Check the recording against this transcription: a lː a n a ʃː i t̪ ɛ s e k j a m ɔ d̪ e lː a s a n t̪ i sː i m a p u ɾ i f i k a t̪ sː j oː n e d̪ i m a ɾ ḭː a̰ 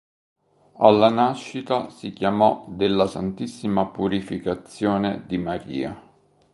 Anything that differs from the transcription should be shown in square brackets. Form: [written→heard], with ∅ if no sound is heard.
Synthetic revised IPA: a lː a n a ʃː i t̪ [ɛ→a] s [e→i] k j a m ɔ d̪ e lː a s a n t̪ i sː i m a p u ɾ i f i k a t̪ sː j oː n e d̪ i m a ɾ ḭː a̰